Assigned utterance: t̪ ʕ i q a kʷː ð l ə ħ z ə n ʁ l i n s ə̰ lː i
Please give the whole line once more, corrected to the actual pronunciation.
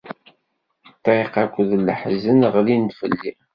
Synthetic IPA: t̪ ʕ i q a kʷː ð l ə ħ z ə n ʁ l i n f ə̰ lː i

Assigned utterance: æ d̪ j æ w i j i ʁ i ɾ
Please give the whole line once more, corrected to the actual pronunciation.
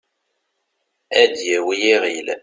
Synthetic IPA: æ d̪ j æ w i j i ʁ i l

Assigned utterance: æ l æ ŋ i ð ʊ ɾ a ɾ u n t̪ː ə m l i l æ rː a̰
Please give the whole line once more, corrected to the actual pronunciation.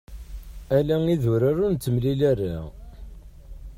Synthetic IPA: æ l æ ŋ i ð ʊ ɾ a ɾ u n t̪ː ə m l i l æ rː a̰

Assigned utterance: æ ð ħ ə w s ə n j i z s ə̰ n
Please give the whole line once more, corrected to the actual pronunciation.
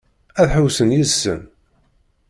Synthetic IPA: æ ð ħ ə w s ə n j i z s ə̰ n

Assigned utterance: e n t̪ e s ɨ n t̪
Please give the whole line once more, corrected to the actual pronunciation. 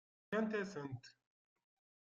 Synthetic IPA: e n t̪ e s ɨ n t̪

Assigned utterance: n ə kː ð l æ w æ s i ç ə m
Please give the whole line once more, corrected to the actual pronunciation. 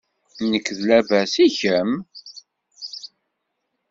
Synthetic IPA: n ə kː ð l æ v æ s i ç ə m

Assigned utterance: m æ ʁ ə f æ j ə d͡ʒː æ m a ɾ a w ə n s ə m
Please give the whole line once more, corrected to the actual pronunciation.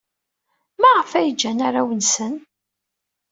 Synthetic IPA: m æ ʁ ə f æ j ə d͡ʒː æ n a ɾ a w ə n s ə n

